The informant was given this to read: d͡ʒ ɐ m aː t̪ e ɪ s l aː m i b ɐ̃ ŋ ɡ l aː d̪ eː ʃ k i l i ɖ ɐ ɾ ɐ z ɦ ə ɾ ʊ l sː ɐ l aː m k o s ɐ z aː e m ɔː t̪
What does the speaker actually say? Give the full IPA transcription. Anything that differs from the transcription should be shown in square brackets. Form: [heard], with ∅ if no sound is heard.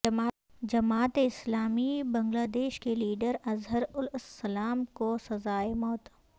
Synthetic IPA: d͡ʒ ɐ m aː t̪ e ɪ s l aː m i b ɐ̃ ŋ ɡ l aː d̪ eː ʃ k [e] l [iː] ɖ [ə] ɾ ɐ z ɦ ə ɾ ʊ l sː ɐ l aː m k o s ɐ z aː e m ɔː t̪